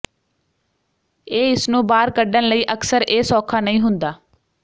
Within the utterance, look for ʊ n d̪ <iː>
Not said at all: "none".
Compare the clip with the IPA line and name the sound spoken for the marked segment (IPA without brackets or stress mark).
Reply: aː